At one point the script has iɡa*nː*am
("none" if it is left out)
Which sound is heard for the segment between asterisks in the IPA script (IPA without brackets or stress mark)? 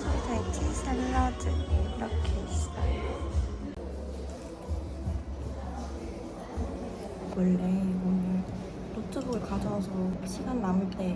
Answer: nː